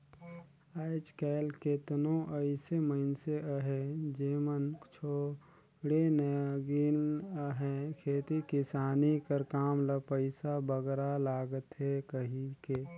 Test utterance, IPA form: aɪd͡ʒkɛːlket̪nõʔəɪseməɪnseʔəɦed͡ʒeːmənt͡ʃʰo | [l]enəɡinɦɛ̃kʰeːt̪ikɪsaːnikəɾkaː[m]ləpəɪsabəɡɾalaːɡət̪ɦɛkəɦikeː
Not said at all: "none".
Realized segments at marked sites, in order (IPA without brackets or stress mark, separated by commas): ɽ, m